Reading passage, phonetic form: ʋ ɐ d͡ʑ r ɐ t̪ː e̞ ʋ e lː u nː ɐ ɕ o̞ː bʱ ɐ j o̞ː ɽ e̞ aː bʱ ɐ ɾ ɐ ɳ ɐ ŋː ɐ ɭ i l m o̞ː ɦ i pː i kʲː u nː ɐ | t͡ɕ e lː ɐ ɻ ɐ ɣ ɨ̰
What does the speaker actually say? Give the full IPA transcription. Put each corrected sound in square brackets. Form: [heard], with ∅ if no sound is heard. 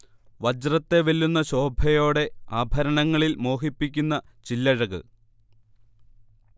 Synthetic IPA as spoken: ʋ ɐ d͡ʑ r ɐ t̪ː e̞ ʋ e lː u nː ɐ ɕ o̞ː bʱ ɐ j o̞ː ɽ e̞ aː bʱ ɐ ɾ ɐ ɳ ɐ ŋː ɐ ɭ i l m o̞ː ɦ i pː i kʲː u nː ɐ | t͡ɕ [i] lː ɐ ɻ ɐ ɣ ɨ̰